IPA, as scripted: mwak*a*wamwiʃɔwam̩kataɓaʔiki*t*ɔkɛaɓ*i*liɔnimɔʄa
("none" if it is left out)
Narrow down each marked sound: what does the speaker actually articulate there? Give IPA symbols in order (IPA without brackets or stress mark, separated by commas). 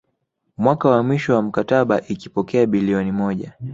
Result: a, p, i